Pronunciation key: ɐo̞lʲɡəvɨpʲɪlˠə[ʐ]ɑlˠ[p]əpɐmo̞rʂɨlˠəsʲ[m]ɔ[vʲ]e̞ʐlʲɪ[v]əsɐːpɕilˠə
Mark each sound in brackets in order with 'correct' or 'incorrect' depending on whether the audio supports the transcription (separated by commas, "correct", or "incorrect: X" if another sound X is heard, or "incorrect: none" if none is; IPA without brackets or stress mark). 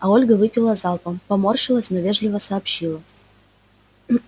incorrect: z, correct, incorrect: n, correct, correct